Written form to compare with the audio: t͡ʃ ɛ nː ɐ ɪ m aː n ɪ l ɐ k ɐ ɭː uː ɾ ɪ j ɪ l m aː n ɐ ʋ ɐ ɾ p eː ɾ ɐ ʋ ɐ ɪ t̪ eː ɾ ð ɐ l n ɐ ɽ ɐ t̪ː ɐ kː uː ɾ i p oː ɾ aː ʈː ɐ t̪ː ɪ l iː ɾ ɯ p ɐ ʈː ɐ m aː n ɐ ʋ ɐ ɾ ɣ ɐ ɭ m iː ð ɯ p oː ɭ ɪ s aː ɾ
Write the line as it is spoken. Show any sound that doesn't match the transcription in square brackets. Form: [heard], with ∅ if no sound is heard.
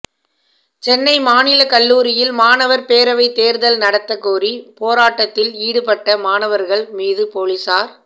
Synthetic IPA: t͡ʃ ɛ nː ɐ ɪ m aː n ɪ l ɐ k ɐ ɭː uː ɾ ɪ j ɪ l m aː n ɐ ʋ ɐ ɾ p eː ɾ ɐ ʋ ɐ ɪ t̪ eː ɾ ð ɐ l n ɐ ɽ ɐ t̪ː ɐ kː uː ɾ i p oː ɾ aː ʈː ɐ t̪ː ɪ l iː [ɽ] ɯ p ɐ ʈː ɐ m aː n ɐ ʋ ɐ ɾ ɣ ɐ ɭ m iː ð ɯ p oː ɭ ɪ s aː ɾ